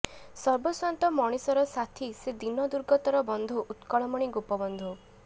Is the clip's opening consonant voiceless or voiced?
voiceless